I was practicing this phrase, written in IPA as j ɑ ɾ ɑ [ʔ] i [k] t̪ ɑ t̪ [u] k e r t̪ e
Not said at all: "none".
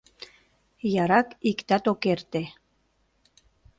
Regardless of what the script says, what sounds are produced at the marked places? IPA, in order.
k, k, o

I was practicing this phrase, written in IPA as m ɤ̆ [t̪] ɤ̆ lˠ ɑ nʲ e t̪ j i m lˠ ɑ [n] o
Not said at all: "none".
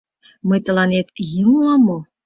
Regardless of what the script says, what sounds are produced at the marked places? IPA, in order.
t̪, m

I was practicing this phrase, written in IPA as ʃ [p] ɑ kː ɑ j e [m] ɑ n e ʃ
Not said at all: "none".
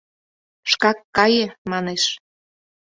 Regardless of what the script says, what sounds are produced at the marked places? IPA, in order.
k, m

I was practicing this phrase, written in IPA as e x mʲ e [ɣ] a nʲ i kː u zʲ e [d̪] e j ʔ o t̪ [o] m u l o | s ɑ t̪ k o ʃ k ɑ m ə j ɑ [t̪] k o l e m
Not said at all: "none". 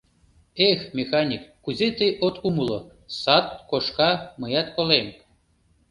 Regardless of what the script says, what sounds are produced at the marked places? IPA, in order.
x, t̪, u, t̪

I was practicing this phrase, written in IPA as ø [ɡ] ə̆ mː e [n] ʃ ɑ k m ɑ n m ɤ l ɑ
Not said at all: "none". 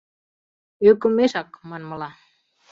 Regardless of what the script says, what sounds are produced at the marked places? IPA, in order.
k, none

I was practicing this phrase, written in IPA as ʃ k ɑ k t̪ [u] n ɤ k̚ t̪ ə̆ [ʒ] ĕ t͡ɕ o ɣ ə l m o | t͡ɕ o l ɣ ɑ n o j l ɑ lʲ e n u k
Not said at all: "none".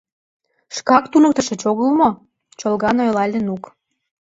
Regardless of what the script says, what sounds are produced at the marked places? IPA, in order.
u, ʃ

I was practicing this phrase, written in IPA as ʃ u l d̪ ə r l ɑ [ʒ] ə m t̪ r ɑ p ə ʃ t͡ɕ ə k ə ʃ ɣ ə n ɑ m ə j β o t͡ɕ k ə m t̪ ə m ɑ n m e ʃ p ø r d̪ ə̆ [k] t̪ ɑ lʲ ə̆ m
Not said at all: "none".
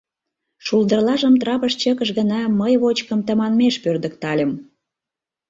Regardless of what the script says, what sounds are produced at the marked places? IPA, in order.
ʒ, k

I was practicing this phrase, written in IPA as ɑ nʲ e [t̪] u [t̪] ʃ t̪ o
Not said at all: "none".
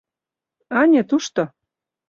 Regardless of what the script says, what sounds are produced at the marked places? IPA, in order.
t̪, none

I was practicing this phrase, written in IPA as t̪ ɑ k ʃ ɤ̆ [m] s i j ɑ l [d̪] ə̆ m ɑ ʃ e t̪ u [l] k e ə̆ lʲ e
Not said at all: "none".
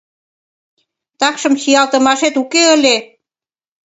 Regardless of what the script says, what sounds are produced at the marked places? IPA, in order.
m, t̪, none

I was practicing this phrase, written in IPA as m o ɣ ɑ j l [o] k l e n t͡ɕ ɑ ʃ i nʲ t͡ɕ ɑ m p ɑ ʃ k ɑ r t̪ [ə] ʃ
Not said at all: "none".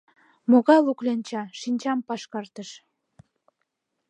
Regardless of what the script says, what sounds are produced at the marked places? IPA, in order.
u, ə

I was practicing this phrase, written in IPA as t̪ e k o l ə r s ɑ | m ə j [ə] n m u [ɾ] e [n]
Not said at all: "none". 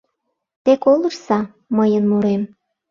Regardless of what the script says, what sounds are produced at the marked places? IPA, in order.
ə, ɾ, m

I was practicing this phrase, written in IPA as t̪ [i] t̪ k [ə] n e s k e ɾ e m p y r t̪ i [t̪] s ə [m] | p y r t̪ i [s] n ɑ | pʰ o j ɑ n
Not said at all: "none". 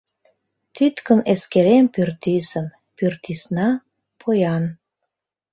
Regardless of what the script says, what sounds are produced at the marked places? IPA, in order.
y, ə, none, m, s

